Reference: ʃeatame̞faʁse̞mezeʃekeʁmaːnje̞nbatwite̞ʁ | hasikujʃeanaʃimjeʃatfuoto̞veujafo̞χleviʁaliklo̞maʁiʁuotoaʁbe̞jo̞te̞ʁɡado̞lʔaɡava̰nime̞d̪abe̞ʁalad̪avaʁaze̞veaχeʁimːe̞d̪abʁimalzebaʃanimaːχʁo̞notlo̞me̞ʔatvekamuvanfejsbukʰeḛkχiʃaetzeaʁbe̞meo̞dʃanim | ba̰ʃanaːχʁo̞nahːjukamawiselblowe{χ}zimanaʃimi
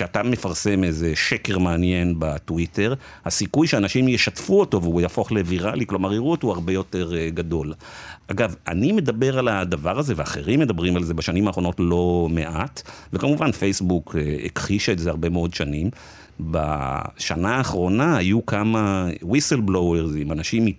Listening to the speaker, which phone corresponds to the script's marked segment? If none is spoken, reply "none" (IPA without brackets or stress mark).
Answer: ʁ